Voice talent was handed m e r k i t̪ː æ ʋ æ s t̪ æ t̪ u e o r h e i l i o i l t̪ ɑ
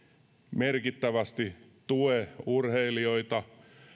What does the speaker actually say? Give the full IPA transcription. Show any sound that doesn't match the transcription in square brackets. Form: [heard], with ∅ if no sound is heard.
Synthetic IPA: m e r k i t̪ː æ ʋ æ s t̪ [i] t̪ u e [u] r h e i l i o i [∅] t̪ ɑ